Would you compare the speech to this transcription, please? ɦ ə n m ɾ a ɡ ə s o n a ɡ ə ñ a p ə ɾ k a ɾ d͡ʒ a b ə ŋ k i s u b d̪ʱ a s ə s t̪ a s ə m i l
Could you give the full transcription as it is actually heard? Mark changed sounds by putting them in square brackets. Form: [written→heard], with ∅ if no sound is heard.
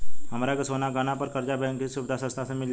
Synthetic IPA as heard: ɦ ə [n→∅] m ɾ a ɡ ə s o n a ɡ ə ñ a p ə ɾ k [a→ə] ɾ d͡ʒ a b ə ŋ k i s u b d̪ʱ a s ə s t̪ a s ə m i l

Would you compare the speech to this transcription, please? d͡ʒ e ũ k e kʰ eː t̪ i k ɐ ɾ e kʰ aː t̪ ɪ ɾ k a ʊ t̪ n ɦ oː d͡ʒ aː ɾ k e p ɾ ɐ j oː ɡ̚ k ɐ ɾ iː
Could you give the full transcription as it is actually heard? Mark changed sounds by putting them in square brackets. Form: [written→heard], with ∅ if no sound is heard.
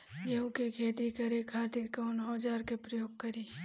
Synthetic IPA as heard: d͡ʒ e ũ k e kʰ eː t̪ i k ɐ ɾ e kʰ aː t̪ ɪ ɾ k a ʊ [t̪→∅] n ɦ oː d͡ʒ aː ɾ k e p ɾ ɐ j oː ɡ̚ k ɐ ɾ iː

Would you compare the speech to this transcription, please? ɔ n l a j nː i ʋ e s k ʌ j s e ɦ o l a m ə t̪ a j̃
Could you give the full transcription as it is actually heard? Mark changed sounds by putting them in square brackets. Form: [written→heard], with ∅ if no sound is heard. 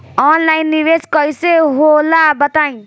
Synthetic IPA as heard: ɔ n l a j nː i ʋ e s k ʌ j s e ɦ o l a [m→b] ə t̪ a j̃

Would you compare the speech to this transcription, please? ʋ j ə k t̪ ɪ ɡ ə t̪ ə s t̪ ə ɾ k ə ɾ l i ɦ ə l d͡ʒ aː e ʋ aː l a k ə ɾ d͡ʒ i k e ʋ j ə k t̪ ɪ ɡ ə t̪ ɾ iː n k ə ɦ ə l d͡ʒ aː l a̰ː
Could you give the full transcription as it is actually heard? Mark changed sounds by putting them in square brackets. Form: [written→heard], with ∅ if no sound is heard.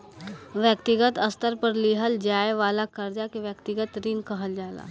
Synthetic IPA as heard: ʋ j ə k t̪ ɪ ɡ ə t̪ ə s t̪ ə ɾ [k→p] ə ɾ l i ɦ ə l d͡ʒ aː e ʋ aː l a k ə ɾ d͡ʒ [i→a] k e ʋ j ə k t̪ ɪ ɡ ə t̪ ɾ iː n k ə ɦ ə l d͡ʒ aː l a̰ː

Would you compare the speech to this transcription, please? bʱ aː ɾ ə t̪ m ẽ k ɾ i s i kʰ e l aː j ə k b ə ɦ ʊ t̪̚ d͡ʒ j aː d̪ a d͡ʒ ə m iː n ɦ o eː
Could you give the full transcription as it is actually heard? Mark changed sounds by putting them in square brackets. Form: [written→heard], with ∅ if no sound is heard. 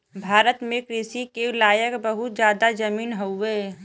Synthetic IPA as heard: bʱ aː ɾ ə t̪ m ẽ k ɾ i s i [kʰ→k] e l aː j ə k b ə ɦ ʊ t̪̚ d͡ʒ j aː d̪ a d͡ʒ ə m iː n ɦ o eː

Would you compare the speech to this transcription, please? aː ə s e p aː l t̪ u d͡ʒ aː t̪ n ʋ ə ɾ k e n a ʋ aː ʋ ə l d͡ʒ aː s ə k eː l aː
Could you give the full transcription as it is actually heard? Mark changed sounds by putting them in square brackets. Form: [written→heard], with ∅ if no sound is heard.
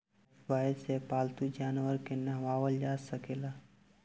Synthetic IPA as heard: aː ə s e p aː l t̪ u d͡ʒ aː [t̪→∅] n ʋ ə ɾ k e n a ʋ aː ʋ ə l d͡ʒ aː s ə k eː l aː

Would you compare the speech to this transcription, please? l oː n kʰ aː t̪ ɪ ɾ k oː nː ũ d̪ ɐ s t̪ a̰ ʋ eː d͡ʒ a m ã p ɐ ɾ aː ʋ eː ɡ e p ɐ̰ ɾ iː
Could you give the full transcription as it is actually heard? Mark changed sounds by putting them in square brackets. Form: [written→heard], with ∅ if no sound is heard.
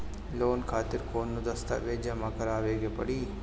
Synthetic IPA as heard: l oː n kʰ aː t̪ ɪ ɾ k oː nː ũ d̪ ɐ s t̪ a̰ ʋ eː d͡ʒ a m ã [p→k] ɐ ɾ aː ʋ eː ɡ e p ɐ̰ [ɾ→ɽ] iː

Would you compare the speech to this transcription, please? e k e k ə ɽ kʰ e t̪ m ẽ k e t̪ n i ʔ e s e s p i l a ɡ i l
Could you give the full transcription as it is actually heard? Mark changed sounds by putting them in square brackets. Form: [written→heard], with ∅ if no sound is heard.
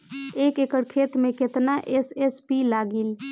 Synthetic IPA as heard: e k e k ə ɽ kʰ e t̪ m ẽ k e t̪ n [i→a] ʔ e s e s p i l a ɡ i l

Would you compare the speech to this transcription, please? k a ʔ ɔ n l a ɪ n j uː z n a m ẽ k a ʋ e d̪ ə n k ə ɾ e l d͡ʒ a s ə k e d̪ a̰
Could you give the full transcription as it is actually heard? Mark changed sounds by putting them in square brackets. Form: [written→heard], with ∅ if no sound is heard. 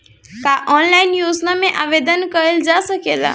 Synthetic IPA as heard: k a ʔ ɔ n l a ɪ n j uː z n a m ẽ [k→ʔ] a ʋ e d̪ ə n k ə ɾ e l d͡ʒ a s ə k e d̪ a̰

